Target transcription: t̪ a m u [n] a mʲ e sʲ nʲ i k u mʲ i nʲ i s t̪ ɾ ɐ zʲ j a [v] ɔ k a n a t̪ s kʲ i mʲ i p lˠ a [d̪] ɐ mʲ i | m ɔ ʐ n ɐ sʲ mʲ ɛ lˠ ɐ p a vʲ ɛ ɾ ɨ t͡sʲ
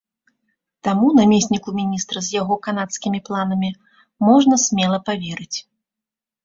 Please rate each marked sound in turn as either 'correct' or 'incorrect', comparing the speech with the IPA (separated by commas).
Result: correct, incorrect, incorrect